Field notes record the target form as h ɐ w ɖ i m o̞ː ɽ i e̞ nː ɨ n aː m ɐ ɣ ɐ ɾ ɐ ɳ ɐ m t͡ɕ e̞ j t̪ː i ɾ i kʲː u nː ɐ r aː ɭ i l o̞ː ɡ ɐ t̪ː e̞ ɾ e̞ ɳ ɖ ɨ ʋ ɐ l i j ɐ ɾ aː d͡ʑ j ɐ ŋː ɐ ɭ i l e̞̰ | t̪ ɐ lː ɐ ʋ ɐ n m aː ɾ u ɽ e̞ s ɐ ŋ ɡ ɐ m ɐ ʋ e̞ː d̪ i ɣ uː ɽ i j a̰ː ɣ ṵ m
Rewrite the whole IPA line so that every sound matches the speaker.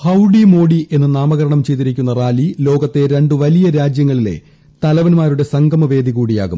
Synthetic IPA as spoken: h ɐ w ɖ i m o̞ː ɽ i e̞ nː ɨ n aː m ɐ ɣ ɐ ɾ ɐ ɳ ɐ m t͡ɕ e̞ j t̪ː i ɾ i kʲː u nː ɐ r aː l i l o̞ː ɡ ɐ t̪ː e̞ ɾ e̞ ɳ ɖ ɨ ʋ ɐ l i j ɐ ɾ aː d͡ʑ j ɐ ŋː ɐ ɭ i l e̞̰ | t̪ ɐ l ɐ ʋ ɐ n m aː ɾ u ɽ e̞ s ɐ ŋ ɡ ɐ m ɐ ʋ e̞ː d̪ i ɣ uː ɽ i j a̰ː ɣ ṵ m